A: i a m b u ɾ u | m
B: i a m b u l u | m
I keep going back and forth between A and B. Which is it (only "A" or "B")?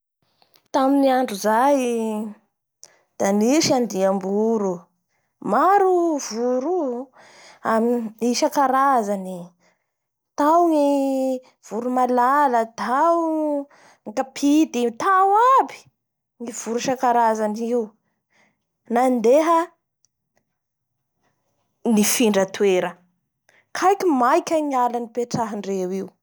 A